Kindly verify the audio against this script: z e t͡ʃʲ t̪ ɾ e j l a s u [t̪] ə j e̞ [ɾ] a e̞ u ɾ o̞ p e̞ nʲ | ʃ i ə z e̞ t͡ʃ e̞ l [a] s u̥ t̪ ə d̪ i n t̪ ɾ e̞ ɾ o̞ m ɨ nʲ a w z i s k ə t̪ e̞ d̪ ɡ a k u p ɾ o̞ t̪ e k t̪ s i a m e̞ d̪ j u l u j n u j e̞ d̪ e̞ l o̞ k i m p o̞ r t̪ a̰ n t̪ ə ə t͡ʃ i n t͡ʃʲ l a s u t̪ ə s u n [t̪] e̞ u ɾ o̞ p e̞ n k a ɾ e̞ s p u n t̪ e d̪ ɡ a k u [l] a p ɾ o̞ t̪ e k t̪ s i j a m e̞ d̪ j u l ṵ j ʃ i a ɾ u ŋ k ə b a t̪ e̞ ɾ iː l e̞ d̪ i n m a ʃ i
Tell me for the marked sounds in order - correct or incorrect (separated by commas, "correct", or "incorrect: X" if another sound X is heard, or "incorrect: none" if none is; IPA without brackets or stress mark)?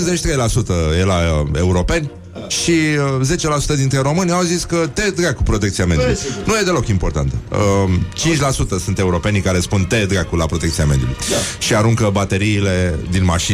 correct, incorrect: l, correct, correct, correct